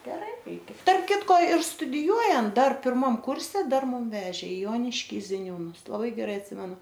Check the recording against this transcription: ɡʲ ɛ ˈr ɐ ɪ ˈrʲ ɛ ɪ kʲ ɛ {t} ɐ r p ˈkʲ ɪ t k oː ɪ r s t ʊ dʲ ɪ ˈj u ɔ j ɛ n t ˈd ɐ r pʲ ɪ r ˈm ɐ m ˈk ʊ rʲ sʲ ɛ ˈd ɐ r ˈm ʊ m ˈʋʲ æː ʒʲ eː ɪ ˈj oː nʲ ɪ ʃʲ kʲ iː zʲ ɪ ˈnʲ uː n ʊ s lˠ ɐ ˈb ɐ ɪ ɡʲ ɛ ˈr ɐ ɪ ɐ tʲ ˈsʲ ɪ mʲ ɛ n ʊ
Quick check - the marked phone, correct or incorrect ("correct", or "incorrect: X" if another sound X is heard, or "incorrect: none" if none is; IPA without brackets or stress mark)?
correct